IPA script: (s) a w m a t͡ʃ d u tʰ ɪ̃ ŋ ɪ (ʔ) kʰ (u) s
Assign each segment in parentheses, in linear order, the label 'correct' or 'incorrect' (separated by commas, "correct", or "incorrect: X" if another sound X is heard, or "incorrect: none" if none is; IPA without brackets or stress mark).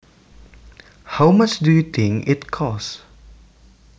incorrect: h, incorrect: t, incorrect: ɔ